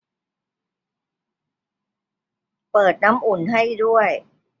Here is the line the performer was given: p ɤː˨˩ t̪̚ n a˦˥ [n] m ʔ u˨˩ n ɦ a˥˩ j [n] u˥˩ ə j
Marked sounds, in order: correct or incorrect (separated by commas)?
incorrect, incorrect